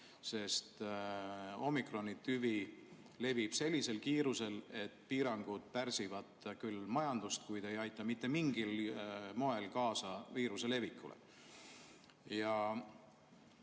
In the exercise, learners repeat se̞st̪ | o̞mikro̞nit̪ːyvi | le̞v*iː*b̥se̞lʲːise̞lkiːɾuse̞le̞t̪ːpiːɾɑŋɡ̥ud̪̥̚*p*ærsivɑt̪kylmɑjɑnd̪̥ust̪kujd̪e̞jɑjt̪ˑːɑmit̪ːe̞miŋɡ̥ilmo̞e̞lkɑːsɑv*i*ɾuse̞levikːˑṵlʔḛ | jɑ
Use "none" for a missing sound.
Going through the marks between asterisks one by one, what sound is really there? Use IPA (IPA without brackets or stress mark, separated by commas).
i, p, iː